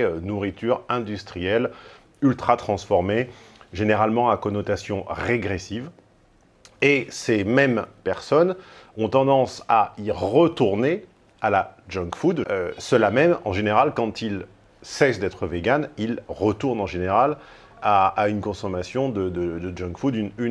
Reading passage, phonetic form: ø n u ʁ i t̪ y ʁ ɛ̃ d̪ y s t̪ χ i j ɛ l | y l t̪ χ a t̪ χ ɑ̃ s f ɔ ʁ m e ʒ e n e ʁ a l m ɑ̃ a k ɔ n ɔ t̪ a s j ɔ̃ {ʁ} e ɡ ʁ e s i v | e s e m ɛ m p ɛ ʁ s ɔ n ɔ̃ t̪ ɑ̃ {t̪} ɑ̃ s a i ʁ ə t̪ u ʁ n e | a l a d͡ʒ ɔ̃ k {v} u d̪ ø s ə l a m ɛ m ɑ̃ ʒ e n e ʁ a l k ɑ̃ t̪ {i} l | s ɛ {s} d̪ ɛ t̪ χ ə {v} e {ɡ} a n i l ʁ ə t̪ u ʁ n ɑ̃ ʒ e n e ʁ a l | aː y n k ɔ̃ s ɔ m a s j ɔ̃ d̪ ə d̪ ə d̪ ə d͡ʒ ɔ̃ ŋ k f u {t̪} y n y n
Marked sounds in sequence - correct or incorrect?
correct, incorrect: d̪, incorrect: f, correct, correct, correct, correct, incorrect: d̪

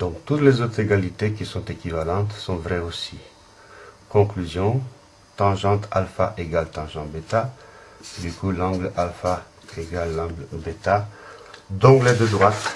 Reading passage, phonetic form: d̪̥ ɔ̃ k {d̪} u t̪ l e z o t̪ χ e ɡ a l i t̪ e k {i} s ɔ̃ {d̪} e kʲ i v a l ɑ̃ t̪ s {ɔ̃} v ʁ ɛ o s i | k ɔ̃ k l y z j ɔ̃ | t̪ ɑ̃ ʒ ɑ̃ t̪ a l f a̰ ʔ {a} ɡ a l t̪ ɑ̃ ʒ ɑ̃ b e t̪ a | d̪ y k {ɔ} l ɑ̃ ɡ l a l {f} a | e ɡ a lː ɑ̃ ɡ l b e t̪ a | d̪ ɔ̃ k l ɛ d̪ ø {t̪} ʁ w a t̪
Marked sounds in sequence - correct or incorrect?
incorrect: t̪, correct, incorrect: t̪, correct, incorrect: e, incorrect: u, correct, incorrect: d̪

